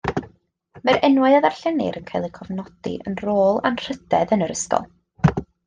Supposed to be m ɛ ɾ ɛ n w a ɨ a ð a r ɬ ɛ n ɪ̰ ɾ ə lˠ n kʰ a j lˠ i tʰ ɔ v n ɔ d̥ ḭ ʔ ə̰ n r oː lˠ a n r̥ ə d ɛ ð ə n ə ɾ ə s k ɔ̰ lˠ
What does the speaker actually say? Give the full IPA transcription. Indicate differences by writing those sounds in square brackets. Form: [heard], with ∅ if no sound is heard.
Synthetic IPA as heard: m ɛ ɾ ɛ n w a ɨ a ð a r ɬ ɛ n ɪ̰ ɾ ə [∅] n kʰ a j lˠ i [kʰ] ɔ v n ɔ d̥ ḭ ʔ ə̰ n r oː lˠ a n r̥ ə d ɛ ð ə n ə ɾ ə s k ɔ̰ lˠ